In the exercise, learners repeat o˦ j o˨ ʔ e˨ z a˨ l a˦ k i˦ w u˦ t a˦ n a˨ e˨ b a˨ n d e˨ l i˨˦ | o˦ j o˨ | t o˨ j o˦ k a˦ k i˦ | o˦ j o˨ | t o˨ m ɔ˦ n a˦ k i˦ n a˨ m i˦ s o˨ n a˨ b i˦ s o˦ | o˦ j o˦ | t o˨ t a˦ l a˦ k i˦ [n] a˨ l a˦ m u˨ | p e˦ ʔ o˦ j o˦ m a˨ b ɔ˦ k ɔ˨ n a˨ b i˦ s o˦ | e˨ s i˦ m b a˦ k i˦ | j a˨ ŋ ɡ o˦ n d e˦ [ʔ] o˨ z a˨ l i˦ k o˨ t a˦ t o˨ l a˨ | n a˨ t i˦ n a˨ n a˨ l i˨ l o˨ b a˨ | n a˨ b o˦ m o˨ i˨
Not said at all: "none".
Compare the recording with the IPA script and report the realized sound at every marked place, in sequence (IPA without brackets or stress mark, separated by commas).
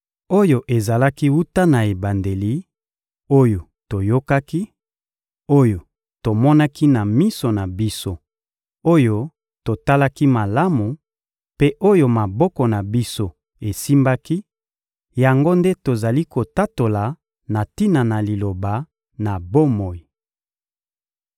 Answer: m, t